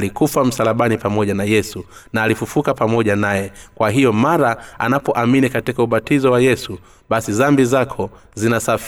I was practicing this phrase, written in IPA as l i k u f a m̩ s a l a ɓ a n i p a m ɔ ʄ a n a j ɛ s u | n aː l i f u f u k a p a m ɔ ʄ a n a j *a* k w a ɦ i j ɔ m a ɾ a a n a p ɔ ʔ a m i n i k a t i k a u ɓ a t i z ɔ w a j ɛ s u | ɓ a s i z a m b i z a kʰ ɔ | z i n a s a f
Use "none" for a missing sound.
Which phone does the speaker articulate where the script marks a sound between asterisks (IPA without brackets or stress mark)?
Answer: ɛ